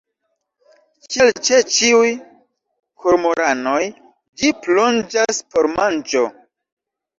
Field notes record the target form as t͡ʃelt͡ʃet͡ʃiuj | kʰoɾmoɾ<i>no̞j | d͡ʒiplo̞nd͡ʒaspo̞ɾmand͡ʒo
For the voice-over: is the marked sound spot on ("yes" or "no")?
no